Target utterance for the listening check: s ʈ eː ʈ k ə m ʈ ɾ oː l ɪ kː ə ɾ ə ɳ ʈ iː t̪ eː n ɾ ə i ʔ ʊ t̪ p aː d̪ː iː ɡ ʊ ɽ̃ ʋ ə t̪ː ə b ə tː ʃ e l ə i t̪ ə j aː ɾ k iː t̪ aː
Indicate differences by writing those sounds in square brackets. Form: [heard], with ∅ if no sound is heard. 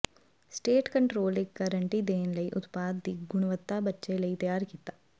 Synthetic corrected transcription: s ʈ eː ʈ k ə [ɳ] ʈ ɾ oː l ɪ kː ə ɾ ə ɳ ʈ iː [d̪] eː n [l] ə i ʔ ʊ t̪ p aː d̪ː iː ɡ ʊ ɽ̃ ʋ ə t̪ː [a] b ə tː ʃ e l ə i t̪ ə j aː ɾ k iː t̪ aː